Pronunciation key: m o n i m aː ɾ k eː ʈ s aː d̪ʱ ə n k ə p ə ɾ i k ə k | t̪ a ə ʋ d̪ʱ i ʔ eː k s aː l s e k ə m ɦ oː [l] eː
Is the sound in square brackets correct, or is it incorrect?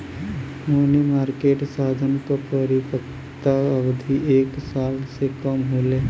correct